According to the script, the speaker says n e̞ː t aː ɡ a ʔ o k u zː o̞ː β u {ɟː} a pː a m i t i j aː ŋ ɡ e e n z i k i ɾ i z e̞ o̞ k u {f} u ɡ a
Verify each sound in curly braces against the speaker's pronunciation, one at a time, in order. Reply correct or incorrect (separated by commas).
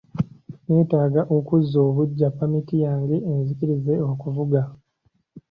correct, incorrect